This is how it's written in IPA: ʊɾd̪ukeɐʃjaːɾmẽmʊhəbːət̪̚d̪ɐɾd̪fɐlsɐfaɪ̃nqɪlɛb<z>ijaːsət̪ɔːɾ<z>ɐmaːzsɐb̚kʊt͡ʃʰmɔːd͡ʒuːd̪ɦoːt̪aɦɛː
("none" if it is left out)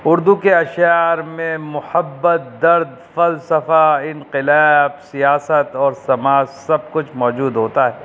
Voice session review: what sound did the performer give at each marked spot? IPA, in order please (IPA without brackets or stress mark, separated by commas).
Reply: s, s